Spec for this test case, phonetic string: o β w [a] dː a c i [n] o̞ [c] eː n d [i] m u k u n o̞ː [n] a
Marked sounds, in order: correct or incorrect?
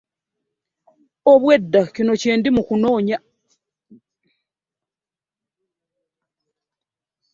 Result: incorrect, correct, correct, correct, incorrect

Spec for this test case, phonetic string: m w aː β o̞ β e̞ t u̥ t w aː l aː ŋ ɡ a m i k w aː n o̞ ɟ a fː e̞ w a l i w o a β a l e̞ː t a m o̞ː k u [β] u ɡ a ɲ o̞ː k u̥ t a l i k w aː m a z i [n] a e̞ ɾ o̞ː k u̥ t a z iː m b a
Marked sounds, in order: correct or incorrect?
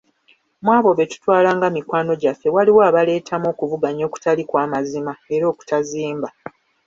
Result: incorrect, incorrect

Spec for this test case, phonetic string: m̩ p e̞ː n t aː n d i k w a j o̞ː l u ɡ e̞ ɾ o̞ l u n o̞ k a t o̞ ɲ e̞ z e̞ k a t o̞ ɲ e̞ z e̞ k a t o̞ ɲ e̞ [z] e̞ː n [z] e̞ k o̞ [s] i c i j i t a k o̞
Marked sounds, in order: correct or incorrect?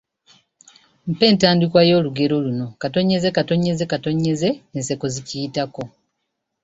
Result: correct, incorrect, incorrect

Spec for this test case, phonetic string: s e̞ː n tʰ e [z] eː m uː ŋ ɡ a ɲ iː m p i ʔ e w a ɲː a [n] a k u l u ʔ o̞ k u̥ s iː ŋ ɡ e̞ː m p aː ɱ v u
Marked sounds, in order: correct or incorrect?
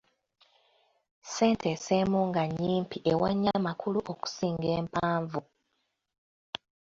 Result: incorrect, incorrect

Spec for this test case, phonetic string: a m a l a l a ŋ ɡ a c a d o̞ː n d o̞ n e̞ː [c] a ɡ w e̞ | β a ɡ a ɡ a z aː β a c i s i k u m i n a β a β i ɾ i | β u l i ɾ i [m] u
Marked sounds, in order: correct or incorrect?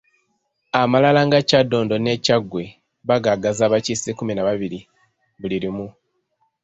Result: correct, correct

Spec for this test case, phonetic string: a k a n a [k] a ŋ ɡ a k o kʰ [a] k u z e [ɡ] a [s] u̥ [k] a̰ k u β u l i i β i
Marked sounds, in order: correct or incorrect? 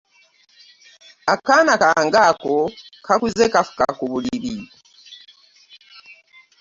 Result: correct, correct, incorrect, incorrect, correct

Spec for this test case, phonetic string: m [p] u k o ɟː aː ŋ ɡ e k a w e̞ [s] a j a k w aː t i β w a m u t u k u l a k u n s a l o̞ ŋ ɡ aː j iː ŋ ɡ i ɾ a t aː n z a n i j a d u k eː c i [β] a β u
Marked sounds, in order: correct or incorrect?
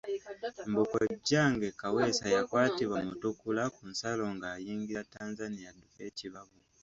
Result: incorrect, correct, correct

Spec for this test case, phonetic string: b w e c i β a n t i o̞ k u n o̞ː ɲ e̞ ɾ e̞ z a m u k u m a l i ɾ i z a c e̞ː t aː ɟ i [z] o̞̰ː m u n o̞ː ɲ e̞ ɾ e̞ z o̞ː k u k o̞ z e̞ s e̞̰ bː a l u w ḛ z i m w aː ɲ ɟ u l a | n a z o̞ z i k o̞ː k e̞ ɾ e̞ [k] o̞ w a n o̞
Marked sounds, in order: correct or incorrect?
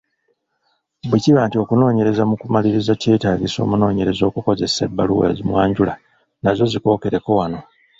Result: incorrect, correct

